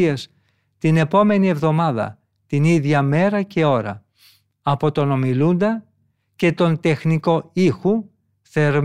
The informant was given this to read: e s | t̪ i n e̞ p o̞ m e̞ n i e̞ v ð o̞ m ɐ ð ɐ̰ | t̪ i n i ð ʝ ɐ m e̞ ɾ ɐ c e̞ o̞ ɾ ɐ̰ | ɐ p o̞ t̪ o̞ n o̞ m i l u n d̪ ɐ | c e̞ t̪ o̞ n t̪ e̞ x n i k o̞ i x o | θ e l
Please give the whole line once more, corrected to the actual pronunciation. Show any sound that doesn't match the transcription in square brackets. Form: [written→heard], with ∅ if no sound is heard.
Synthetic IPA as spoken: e s | t̪ i n e̞ p o̞ m e̞ n i e̞ v ð o̞ m ɐ ð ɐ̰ | t̪ i n i ð ʝ ɐ m e̞ ɾ ɐ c e̞ o̞ ɾ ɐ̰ | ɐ p o̞ t̪ o̞ n o̞ m i l u n d̪ ɐ | c e̞ t̪ o̞ n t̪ e̞ x n i k o̞ i x [o→u] | θ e [l→ɾ]